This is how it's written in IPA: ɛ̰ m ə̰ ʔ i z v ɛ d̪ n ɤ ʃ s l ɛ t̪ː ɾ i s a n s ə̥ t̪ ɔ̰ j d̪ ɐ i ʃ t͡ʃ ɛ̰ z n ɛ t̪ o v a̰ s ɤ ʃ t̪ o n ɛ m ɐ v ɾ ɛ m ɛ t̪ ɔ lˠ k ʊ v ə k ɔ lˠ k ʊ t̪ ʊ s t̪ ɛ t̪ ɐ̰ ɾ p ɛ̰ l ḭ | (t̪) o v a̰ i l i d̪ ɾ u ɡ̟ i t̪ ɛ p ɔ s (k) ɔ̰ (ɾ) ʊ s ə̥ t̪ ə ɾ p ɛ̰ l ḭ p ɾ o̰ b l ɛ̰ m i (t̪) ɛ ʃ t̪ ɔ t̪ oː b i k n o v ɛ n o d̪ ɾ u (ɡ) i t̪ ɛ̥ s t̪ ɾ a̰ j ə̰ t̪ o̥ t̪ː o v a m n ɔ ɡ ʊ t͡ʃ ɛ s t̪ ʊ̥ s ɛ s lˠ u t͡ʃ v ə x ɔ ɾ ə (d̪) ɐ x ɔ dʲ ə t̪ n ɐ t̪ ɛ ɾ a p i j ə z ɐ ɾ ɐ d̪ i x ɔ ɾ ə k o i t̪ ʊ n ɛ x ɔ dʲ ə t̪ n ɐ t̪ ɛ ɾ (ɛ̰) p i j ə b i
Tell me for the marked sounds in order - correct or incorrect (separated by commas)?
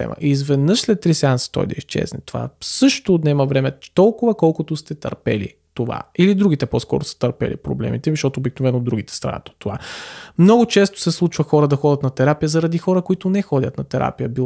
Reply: correct, correct, correct, correct, correct, correct, incorrect